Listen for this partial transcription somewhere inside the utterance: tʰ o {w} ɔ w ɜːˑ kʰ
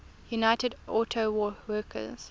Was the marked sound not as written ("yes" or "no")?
no